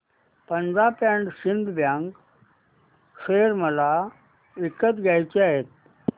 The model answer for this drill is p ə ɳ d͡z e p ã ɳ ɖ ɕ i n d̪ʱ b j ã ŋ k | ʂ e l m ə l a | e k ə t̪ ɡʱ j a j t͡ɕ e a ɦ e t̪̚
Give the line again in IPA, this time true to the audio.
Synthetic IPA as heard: p ə n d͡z a p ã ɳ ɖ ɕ i n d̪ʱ b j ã ŋ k | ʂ e ɾ m ə l a | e k ə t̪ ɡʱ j a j t͡ɕ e a ɦ e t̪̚